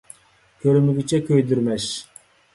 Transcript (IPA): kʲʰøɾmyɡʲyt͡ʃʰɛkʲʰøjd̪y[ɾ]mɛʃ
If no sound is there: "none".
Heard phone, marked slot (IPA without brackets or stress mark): ɾ